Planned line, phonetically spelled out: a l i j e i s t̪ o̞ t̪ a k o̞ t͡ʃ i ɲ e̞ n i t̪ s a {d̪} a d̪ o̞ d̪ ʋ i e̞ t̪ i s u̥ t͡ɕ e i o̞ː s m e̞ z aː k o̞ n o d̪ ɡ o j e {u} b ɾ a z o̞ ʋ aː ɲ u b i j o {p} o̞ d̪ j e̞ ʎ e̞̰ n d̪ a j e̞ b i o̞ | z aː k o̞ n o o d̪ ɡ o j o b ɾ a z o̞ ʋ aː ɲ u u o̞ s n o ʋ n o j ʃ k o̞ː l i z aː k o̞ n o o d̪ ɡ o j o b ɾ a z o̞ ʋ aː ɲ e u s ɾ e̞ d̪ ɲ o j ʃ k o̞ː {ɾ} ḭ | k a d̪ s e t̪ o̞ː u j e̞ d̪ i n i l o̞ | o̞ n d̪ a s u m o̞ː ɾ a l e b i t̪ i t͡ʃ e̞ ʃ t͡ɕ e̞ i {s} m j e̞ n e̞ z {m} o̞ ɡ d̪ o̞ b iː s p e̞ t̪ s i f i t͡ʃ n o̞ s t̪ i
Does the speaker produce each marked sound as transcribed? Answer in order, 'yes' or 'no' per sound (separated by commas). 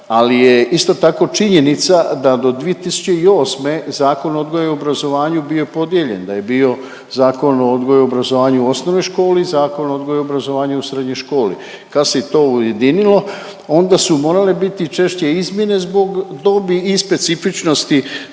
yes, no, yes, no, no, no